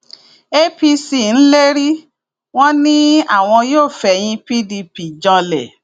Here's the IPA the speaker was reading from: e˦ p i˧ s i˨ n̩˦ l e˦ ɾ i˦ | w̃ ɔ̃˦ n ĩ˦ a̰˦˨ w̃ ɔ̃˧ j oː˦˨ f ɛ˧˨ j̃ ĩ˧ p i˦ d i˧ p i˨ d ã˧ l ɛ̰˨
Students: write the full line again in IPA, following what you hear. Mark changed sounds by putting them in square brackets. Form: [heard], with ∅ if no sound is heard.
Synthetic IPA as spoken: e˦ p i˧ s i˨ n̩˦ l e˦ ɾ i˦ | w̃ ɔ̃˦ n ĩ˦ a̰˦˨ w̃ ɔ̃˧ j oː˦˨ f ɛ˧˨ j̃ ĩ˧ p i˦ d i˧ p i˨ [d͡ʒ] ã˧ l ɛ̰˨